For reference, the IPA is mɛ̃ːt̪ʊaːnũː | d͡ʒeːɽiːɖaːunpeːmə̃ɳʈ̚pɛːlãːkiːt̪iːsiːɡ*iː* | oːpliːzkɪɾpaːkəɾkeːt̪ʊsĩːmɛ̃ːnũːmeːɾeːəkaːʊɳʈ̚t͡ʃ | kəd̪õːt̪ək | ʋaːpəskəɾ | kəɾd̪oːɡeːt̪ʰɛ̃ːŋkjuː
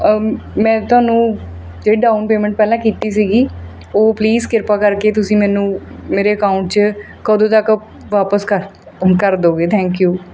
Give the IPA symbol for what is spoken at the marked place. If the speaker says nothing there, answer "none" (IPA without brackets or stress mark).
iː